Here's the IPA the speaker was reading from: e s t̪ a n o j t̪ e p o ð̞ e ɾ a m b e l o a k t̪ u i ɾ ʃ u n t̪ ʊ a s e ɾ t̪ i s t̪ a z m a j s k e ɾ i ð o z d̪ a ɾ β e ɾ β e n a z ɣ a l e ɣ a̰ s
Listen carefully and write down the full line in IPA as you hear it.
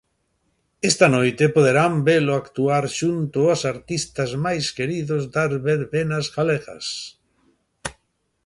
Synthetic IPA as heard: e s t̪ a n o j t̪ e p o ð̞ e ɾ a m b e l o a k t̪ u a ɾ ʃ u n t̪ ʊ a s a ɾ t̪ i s t̪ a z m a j s k e ɾ i ð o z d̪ a ɾ β e ɾ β e n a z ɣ a l e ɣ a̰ s